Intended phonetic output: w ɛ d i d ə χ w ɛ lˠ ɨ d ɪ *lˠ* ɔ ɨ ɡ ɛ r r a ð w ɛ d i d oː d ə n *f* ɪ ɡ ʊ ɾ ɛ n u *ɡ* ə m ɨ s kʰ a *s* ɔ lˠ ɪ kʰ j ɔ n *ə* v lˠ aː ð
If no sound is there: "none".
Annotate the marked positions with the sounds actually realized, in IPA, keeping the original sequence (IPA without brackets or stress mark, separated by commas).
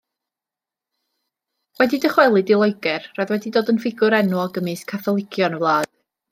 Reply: lˠ, f, ɡ, θ, ə